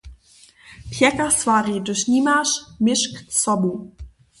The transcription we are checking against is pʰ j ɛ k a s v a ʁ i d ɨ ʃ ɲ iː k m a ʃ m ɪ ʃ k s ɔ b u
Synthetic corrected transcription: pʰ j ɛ k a s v a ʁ i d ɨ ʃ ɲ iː m a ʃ m ɪ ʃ k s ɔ b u